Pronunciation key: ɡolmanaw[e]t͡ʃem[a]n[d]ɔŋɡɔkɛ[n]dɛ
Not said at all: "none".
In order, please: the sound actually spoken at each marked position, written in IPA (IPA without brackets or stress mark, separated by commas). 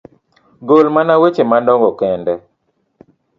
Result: e, a, d, n